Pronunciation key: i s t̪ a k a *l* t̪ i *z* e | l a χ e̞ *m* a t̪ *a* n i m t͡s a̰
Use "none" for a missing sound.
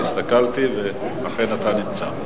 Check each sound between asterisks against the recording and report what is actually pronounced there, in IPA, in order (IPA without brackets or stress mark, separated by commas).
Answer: l, v, n, a